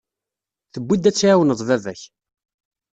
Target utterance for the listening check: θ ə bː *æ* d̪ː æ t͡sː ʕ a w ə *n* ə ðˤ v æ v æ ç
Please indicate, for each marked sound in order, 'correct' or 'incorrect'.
incorrect, correct

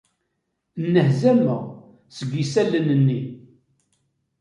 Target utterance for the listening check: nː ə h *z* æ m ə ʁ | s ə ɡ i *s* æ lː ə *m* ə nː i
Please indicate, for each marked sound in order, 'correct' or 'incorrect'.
correct, correct, incorrect

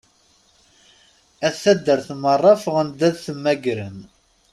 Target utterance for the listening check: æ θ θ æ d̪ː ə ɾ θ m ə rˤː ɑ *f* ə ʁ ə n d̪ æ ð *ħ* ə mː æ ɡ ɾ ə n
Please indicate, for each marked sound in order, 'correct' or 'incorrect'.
correct, incorrect

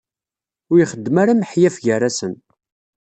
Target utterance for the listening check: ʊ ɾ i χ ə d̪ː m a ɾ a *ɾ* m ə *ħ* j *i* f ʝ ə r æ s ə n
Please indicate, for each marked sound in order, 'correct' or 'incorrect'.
incorrect, correct, incorrect

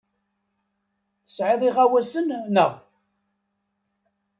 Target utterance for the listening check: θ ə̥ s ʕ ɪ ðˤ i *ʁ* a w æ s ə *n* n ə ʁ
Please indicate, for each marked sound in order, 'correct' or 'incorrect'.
correct, correct

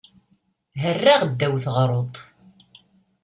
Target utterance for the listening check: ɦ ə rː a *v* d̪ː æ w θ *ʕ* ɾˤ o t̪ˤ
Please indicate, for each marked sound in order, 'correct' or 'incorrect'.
incorrect, incorrect

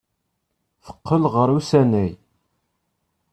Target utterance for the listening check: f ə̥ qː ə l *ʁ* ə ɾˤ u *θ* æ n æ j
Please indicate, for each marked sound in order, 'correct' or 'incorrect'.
correct, incorrect

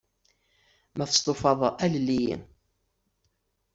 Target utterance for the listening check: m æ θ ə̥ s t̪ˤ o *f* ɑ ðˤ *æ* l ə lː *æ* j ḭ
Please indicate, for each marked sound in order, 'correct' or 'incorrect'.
correct, correct, incorrect

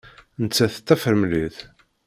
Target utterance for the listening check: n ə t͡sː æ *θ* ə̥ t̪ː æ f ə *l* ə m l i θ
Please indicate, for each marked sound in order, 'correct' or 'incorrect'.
correct, incorrect

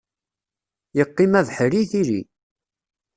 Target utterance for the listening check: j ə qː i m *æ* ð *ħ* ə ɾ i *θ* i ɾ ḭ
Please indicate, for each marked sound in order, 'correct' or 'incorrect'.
correct, correct, correct

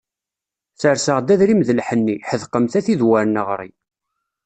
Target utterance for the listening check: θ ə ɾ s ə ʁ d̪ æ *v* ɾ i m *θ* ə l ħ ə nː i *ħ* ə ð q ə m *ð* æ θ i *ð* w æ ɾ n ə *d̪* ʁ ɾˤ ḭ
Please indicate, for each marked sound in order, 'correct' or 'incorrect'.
incorrect, incorrect, correct, incorrect, correct, incorrect

